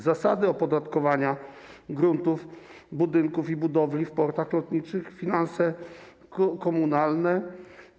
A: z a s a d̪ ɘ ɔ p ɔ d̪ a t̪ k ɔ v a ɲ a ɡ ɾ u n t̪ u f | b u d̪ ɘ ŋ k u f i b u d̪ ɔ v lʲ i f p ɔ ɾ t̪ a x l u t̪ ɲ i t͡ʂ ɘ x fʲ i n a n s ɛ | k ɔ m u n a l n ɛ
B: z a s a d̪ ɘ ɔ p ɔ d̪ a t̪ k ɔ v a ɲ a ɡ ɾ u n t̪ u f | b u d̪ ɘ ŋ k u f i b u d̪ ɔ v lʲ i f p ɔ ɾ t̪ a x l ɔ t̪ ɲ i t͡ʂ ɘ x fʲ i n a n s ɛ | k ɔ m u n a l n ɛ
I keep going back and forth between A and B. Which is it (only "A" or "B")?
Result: B